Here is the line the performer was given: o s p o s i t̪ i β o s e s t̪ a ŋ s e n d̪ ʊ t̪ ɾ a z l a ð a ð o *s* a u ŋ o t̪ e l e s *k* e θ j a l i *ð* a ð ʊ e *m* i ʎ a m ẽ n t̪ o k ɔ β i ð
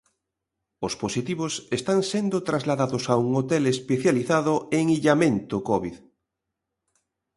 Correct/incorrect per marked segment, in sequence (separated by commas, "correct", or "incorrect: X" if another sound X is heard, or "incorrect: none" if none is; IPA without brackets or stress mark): correct, incorrect: p, incorrect: θ, incorrect: ŋ